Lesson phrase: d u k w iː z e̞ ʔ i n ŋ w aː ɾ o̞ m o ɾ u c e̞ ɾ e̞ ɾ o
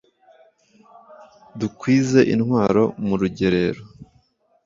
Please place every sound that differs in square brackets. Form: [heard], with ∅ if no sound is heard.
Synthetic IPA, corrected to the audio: d u k w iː z e̞ ʔ i n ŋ w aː ɾ o̞ m [u] ɾ u [ɟ] e̞ ɾ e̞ ɾ o